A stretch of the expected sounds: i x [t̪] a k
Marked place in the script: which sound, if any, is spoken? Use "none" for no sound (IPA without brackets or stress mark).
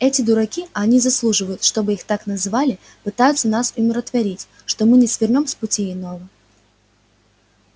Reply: t̪